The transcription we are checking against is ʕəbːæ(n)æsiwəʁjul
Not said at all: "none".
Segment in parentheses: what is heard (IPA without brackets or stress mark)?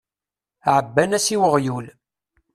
n